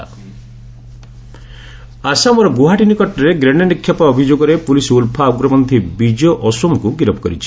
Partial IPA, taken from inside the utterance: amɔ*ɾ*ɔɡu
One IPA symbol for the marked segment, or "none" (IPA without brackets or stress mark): ɾ